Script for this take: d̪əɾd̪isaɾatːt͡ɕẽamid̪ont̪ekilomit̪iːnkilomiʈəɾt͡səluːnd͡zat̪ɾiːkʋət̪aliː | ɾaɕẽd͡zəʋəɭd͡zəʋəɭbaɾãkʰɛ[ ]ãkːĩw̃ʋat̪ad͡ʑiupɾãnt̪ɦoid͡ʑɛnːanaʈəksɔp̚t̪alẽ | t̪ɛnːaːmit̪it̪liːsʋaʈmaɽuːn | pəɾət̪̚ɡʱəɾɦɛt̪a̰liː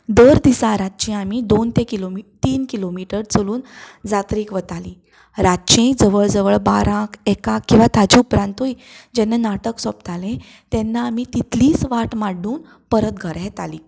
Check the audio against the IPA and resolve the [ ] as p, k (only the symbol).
k